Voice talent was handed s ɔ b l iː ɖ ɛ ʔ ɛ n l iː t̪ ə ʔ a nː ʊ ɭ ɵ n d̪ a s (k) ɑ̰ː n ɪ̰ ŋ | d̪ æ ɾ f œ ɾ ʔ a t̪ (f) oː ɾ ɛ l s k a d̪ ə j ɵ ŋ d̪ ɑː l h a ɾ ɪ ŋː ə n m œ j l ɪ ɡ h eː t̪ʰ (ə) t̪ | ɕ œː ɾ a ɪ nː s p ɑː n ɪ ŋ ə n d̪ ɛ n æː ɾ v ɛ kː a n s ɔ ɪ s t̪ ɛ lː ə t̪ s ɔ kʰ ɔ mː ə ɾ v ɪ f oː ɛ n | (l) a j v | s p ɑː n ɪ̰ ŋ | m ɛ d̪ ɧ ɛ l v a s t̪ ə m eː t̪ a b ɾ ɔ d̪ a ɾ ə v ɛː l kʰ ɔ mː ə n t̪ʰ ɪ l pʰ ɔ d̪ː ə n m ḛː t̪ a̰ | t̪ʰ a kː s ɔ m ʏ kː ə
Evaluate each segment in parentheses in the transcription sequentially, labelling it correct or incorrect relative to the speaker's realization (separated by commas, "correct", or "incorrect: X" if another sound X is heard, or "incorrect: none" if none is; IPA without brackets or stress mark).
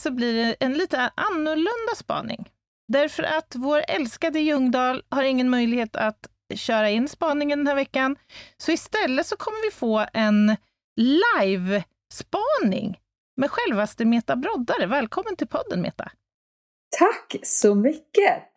incorrect: p, incorrect: v, incorrect: a, correct